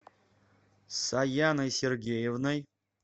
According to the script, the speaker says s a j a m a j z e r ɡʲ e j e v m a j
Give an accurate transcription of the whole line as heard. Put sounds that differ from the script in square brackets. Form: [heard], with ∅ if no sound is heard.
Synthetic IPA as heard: s a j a [n] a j [s] e r ɡʲ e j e v [n] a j